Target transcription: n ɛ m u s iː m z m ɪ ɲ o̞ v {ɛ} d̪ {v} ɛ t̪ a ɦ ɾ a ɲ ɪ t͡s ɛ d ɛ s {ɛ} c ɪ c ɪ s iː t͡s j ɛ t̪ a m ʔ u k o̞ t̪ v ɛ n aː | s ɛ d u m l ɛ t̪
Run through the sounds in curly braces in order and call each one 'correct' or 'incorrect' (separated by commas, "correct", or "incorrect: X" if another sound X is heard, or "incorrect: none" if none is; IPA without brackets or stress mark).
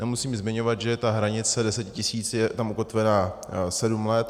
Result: incorrect: a, incorrect: ʒ, correct